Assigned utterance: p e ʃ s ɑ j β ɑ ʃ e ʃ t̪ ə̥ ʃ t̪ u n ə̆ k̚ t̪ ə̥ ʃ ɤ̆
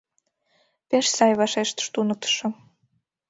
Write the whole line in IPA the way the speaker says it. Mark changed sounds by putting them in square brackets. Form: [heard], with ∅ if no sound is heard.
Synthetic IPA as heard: p e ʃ s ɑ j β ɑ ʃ e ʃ t̪ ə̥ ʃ t̪ u n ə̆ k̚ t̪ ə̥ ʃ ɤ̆